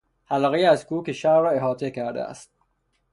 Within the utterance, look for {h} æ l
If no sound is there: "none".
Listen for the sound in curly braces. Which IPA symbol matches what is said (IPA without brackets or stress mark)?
h